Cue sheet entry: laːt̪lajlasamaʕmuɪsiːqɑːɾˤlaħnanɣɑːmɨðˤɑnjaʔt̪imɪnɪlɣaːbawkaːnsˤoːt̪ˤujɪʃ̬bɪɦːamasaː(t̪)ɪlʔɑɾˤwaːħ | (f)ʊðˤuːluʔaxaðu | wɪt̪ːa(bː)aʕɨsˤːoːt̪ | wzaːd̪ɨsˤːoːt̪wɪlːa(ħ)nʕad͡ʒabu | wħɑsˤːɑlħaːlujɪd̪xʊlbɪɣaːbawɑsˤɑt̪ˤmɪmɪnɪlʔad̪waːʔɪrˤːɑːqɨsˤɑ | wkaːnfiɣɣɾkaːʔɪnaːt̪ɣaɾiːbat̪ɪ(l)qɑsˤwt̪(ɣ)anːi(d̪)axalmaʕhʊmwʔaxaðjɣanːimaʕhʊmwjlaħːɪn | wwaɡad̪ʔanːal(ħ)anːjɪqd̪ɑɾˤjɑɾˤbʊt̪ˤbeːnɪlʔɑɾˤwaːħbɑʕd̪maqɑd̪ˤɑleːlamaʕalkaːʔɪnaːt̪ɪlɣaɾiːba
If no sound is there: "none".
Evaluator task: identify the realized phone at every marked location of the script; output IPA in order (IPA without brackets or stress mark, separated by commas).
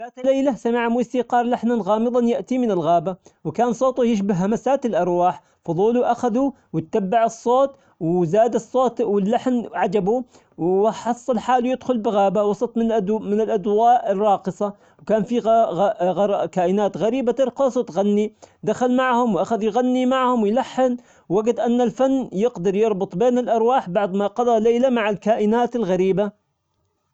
t̪, f, bː, ħ, ɾ, ɣ, d̪, f